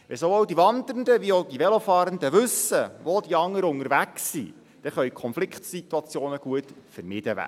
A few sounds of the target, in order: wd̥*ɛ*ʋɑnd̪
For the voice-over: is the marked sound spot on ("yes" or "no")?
no